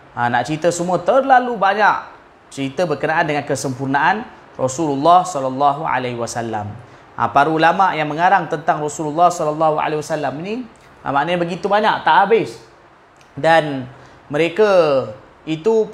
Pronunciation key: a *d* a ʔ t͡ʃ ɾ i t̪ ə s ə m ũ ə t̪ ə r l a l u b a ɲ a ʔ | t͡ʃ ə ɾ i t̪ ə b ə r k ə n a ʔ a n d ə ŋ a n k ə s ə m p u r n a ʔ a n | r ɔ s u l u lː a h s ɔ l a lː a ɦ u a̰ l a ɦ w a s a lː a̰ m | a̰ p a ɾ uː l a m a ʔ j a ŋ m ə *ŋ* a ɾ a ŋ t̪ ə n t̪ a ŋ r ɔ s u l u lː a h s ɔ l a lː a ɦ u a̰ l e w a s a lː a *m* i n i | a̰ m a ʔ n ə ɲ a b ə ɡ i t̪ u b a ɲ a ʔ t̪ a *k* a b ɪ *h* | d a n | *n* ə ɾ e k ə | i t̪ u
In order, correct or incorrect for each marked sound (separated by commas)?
incorrect, correct, correct, incorrect, incorrect, incorrect